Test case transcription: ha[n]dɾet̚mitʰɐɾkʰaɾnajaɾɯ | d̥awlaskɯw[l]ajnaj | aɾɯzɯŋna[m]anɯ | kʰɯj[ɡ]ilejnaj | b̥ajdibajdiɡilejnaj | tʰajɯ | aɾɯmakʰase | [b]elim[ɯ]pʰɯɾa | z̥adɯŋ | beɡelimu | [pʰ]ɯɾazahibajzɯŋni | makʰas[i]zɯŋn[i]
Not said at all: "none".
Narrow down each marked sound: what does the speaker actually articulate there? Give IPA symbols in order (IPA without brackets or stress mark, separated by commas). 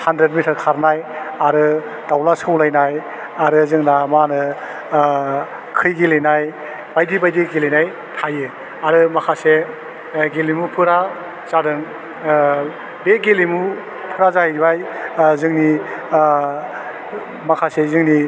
n, l, m, ɡ, ɡ, u, pʰ, e, i